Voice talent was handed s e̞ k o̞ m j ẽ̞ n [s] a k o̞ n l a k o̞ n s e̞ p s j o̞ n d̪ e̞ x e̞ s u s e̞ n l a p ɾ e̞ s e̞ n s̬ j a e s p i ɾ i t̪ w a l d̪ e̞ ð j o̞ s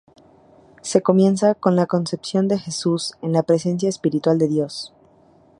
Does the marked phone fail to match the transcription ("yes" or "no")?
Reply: no